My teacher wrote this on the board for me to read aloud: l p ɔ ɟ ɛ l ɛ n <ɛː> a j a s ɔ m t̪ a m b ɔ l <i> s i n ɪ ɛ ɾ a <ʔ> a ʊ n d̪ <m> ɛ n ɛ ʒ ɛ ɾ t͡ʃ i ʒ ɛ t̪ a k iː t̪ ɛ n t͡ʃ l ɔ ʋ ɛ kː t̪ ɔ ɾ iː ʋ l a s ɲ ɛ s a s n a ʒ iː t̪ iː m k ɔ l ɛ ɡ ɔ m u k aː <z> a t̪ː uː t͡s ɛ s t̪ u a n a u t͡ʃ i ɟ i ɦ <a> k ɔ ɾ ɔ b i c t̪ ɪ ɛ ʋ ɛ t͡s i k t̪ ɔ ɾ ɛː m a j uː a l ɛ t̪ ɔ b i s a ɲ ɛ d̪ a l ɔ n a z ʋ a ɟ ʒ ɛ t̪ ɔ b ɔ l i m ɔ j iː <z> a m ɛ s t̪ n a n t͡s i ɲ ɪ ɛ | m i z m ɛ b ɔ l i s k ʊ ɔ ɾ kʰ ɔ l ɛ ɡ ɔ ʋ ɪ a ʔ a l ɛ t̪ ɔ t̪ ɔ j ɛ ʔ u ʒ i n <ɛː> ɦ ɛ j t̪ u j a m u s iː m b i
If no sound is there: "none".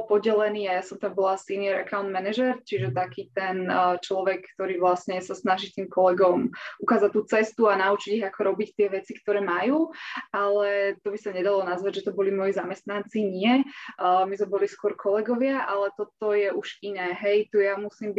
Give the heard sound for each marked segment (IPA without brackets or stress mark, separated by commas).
iː, a, k, m, z, a, z, ɛː